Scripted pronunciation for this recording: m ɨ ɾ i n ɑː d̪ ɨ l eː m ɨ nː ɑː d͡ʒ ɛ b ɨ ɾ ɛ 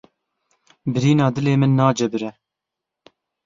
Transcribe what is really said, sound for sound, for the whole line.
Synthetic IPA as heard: b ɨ ɾ iː n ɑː d̪ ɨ l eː m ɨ nː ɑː d͡ʒ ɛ b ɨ ɾ ɛ